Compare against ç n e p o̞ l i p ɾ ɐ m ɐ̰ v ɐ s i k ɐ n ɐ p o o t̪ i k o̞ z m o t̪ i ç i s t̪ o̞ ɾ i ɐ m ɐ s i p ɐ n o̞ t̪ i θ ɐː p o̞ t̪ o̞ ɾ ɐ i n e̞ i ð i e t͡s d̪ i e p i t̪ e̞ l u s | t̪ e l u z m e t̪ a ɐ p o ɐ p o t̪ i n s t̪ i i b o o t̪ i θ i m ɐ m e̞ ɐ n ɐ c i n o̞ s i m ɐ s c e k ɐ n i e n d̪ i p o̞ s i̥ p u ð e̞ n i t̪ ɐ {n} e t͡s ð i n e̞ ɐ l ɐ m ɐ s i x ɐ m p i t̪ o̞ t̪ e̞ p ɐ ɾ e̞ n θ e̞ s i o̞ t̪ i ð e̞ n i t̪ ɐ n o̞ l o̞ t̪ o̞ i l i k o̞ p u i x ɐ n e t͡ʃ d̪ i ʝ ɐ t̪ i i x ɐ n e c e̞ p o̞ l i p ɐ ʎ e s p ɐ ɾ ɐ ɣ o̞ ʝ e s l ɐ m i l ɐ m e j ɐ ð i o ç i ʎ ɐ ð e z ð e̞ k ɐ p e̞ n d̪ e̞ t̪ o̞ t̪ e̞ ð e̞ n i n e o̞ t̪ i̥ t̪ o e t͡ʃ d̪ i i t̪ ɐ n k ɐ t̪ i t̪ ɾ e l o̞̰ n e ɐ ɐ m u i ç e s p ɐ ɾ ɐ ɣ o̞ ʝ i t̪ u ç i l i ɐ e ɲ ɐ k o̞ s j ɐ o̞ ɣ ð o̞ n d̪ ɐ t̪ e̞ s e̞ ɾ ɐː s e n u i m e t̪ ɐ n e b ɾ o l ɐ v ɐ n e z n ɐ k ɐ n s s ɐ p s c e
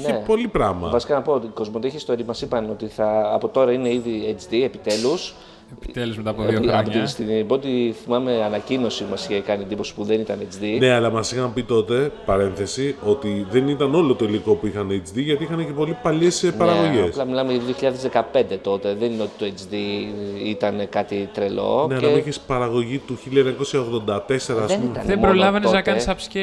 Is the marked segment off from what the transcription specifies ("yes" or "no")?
no